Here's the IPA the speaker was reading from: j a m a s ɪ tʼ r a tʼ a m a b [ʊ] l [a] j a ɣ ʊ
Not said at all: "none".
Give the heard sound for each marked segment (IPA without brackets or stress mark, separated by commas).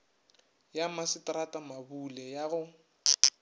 u, ɛ